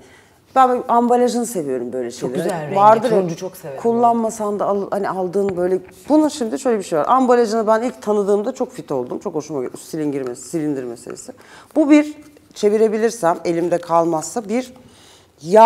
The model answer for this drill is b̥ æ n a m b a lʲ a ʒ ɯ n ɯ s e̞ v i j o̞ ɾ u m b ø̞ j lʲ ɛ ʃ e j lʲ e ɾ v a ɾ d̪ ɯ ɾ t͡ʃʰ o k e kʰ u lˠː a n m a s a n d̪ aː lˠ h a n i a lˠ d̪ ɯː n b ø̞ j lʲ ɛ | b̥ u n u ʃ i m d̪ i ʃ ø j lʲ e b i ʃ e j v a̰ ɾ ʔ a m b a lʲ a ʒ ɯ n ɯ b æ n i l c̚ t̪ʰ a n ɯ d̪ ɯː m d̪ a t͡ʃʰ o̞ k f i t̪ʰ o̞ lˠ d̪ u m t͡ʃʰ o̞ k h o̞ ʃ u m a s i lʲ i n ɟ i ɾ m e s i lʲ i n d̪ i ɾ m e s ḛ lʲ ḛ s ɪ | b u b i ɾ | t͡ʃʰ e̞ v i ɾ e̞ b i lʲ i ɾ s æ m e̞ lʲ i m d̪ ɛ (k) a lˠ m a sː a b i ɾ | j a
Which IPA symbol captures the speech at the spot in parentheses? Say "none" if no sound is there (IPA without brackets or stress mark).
kʰ